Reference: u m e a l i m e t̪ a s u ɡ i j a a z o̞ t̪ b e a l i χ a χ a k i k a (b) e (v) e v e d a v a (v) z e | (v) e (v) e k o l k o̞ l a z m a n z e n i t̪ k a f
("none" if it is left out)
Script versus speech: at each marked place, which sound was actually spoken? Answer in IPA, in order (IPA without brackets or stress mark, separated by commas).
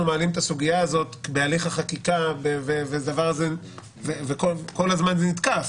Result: b, v, ʁ, v, v